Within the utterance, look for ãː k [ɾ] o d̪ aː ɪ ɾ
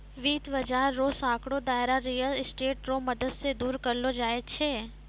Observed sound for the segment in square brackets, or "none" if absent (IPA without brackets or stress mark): ɽ